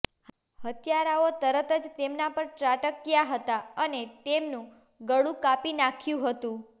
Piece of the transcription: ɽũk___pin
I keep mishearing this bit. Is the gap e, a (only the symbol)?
a